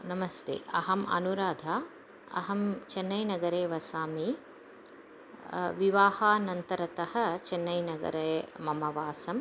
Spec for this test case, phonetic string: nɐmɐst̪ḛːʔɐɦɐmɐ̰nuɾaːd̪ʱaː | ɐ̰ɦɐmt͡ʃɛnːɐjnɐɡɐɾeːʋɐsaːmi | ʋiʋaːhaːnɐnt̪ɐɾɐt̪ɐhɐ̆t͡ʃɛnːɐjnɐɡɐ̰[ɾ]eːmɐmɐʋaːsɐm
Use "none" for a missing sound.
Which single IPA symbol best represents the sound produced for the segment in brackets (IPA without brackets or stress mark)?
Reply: ɾ